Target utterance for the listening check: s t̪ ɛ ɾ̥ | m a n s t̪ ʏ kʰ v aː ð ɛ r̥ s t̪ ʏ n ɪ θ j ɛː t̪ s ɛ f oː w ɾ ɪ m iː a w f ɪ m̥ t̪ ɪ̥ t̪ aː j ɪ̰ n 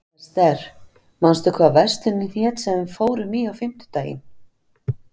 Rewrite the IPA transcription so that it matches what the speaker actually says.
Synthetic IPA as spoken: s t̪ ɛ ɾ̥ | m a n s t̪ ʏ kʰ v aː v ɛ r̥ s t̪ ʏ n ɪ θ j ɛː t̪ s ɛ f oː w ɾ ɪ m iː a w f ɪ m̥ t̪ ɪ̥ t̪ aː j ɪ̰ n

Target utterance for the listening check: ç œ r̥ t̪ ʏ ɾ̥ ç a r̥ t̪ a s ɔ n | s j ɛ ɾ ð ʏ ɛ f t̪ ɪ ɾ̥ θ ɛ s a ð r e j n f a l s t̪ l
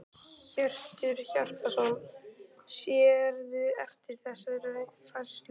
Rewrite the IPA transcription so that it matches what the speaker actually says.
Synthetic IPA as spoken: ç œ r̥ t̪ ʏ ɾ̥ ç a r̥ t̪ a s ɔ n | s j ɛ ɾ ð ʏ ɛ f t̪ ɪ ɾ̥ θ ɛ s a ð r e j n f a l s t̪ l

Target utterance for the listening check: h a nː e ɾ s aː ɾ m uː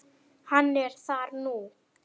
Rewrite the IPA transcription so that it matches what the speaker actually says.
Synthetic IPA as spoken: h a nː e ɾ s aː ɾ n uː

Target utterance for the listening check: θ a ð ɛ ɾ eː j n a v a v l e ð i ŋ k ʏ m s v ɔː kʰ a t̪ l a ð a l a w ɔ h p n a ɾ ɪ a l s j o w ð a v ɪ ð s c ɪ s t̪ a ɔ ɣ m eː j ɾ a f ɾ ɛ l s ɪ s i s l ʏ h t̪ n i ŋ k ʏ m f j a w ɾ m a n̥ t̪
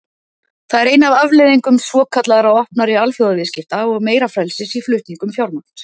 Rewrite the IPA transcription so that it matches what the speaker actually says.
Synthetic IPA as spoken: θ a ð ɛ ɾ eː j n a v a v l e ð i ŋ k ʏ m s v ɔː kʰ a t̪ l a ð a ɾ a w ɔ h p n a ɾ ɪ a l f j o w ð a v ɪ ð s c ɪ f t̪ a ɔ ɣ m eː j ɾ a f ɾ ɛ l s ɪ s i f l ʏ h t̪ n i ŋ k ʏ m f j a w ɾ m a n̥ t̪

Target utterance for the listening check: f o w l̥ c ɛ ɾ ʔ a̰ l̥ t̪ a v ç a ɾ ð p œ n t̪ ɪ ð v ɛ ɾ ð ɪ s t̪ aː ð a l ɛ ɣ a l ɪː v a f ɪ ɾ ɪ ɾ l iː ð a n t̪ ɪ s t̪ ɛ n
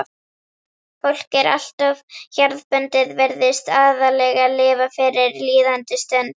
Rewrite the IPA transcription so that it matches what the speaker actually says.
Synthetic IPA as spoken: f o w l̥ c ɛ ɾ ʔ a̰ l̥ t̪ a v ç a ɾ ð p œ n t̪ ɪ ð v ɛ ɾ ð ɪ s t̪ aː ð a l ɛ ɣ a l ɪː v a f ɪ ɾ ɪ ɾ l iː ð a n t̪ ɪ s t̪ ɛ n

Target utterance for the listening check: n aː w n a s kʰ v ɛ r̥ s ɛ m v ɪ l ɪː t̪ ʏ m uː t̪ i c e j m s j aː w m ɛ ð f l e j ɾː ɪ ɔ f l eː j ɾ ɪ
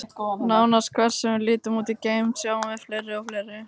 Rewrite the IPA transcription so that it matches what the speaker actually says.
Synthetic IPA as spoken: n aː w n a s kʰ v ɛ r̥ s ɛ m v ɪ l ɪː t̪ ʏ m uː t̪ i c e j m s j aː w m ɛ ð f l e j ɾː ɪ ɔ f l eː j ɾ ɪ

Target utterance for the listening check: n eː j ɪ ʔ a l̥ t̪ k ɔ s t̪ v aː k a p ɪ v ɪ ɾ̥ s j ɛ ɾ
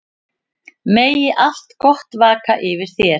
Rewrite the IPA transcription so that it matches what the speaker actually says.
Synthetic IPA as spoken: m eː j ɪ ʔ a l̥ t̪ k ɔ h t̪ v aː k a ʔ ɪ v ɪ ɾ̥ θ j ɛ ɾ

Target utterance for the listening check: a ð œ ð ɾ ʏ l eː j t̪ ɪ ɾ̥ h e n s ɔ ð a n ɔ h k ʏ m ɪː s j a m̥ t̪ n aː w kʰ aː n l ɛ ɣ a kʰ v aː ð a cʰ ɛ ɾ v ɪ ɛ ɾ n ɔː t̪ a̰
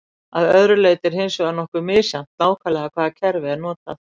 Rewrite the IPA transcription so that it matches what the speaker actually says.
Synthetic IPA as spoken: a ð œ ð ɾ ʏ l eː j t̪ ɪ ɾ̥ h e n s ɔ ɣ a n ɔ h k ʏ m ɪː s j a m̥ t̪ n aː w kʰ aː l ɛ ɣ a kʰ v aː ð a cʰ ɛ ɾ v ɪ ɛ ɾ n ɔː t̪ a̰

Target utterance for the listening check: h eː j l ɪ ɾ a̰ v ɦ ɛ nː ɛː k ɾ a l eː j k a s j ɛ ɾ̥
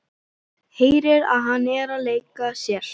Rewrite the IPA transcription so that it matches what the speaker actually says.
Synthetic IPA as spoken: h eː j ɾ ɪ ɾ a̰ ð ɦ a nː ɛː ɾ a l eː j k a s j ɛ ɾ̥

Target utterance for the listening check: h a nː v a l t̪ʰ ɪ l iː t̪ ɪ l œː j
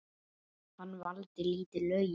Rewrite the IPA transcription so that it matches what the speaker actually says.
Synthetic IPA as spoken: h a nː v a l t̪ ɪ l iː t̪ ɪ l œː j

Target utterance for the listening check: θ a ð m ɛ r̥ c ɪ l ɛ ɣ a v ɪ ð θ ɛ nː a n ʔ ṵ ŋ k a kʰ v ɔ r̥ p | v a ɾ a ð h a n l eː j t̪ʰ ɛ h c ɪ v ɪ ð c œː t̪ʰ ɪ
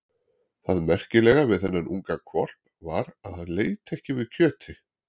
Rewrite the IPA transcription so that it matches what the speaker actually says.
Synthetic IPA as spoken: θ a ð m ɛ r̥ c ɪ l ɛ ɣ a v ɪ ð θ ɛ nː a n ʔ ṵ ŋ k a kʰ v ɔ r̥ p | v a ɾ a ð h a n l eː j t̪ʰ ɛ h c ɪ v ɪ ð cʰ œː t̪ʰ ɪ

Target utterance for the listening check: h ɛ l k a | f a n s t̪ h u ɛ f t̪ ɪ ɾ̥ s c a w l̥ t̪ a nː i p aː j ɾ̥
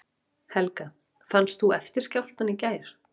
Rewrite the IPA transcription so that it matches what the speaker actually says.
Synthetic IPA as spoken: h ɛ l k a | f a n s t̪ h u ɛ f t̪ ɪ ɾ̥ s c a w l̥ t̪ a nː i c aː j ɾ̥

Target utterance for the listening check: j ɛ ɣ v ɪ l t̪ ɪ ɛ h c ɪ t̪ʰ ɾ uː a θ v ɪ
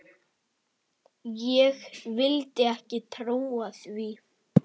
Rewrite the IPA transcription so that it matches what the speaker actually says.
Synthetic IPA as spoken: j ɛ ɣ v ɪ l t̪ ɪ ɛ h c ɪ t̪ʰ ɾ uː a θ v i

